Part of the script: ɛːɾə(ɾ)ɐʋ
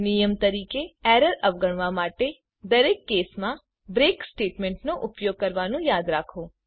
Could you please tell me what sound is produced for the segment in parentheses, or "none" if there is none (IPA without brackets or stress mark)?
ɾ